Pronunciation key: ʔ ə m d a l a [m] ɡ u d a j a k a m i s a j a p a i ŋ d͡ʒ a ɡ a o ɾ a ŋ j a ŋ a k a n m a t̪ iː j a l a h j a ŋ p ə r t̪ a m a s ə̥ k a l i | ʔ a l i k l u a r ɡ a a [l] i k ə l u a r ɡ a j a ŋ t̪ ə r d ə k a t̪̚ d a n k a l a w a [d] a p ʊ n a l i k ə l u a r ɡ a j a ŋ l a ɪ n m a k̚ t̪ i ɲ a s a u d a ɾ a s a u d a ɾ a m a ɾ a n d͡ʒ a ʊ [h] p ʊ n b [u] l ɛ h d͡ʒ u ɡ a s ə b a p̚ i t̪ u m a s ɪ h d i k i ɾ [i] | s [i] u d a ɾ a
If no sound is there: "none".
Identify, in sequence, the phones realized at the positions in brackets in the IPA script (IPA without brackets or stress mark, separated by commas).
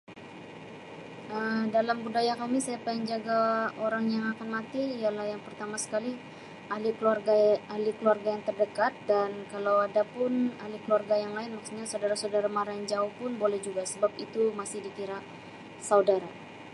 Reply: m, l, d, h, o, a, a